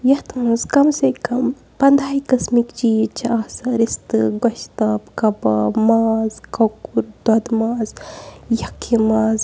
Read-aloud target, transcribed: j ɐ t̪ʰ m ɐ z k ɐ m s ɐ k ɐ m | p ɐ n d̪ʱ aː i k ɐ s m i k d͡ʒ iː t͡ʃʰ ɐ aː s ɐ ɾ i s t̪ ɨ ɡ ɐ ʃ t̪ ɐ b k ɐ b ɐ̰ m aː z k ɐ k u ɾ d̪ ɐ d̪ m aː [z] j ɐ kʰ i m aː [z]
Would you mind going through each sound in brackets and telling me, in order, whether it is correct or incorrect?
correct, correct

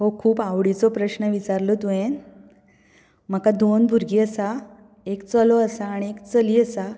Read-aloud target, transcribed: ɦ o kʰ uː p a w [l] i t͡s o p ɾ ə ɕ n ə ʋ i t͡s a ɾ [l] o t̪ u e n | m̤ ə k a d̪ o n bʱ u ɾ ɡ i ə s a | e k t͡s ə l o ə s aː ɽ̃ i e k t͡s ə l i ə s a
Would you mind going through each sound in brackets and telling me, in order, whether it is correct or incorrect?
incorrect, correct

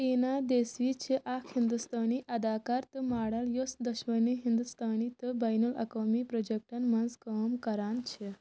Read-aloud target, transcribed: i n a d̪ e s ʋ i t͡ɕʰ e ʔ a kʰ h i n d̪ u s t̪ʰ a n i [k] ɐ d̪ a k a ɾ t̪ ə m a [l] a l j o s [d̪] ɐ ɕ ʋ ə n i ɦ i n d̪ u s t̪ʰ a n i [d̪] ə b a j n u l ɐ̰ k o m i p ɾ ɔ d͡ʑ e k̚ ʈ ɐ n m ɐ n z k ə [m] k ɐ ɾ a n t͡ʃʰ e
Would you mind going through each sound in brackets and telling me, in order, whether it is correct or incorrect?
incorrect, incorrect, correct, incorrect, correct

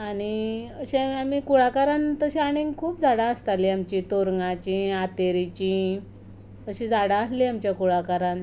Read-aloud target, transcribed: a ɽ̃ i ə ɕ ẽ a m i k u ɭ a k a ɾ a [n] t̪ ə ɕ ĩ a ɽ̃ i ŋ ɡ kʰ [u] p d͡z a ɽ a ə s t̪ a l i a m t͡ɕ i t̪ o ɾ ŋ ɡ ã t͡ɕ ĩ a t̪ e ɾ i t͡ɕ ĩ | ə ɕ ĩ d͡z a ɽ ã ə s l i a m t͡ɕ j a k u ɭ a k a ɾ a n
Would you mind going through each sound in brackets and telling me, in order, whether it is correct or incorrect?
correct, incorrect

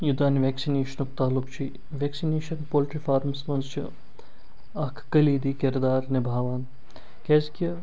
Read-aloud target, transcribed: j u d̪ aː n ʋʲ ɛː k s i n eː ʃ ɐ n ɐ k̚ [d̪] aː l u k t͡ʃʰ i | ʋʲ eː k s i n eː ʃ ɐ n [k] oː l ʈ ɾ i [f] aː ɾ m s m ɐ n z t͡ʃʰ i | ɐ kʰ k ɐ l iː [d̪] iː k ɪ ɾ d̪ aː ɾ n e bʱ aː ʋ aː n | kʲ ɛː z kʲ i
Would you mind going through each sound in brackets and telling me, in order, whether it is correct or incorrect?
incorrect, incorrect, correct, correct

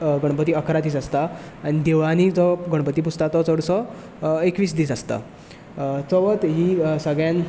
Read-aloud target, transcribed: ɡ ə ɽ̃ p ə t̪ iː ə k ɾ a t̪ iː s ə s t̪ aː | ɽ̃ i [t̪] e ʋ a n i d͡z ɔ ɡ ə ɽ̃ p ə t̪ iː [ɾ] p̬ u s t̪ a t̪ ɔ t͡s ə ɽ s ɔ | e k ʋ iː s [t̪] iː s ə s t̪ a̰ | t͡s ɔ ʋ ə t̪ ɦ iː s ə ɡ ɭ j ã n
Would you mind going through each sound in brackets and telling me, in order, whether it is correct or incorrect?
incorrect, incorrect, incorrect

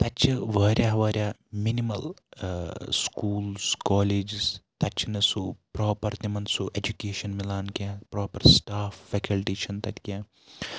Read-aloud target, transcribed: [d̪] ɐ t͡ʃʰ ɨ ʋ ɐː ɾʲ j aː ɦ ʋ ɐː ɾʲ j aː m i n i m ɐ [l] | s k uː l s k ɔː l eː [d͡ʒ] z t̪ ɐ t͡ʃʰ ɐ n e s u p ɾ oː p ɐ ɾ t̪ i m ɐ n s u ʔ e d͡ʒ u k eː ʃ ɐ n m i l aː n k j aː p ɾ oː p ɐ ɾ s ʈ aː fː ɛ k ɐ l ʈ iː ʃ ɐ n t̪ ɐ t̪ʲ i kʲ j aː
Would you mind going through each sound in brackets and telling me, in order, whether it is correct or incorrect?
incorrect, correct, correct

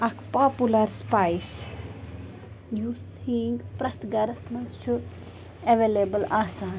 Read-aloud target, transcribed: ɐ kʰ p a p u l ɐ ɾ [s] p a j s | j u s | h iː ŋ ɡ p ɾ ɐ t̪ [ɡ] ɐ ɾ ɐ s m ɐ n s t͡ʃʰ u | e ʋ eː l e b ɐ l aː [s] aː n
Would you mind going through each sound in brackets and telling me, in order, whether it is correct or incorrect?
correct, correct, correct

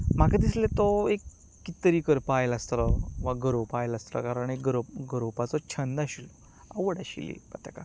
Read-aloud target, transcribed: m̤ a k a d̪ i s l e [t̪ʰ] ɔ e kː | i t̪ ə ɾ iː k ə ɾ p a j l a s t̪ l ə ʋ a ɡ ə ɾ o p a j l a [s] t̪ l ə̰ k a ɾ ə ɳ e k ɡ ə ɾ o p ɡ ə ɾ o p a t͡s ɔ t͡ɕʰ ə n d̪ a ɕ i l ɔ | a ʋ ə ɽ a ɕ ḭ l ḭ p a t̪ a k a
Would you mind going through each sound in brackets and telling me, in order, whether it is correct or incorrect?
incorrect, correct

